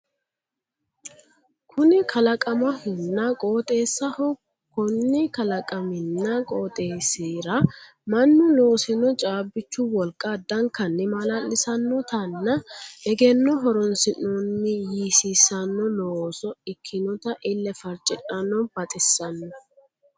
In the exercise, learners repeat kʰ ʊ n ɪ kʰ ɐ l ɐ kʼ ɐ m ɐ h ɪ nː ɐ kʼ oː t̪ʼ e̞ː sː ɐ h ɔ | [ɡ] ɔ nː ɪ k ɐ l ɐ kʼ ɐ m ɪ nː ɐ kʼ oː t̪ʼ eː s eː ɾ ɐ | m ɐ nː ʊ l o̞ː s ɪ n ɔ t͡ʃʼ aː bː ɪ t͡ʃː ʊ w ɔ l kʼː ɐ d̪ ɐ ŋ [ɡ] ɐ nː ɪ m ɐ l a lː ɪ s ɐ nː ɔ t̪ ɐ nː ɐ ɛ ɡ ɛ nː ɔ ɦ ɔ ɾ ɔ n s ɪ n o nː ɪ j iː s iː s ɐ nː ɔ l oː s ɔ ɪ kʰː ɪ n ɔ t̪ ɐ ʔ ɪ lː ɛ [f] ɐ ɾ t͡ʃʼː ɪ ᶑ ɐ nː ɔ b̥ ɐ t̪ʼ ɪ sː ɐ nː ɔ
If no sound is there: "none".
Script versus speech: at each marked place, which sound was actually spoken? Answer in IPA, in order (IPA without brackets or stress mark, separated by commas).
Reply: k, k, f